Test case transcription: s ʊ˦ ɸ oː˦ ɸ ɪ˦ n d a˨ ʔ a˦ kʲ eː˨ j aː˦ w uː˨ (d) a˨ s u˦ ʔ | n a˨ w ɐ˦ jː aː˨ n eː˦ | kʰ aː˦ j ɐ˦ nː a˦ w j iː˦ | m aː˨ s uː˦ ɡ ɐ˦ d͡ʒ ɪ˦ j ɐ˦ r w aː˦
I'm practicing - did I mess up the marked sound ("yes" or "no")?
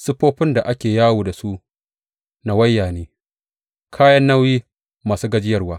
no